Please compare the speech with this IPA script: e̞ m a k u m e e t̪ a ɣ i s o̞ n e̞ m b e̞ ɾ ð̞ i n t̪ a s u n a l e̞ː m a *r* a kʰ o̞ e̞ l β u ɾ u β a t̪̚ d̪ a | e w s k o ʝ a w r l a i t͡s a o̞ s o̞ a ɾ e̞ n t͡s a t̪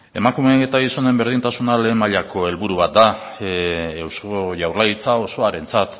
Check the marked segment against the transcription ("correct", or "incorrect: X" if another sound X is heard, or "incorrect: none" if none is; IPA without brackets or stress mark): incorrect: ʎ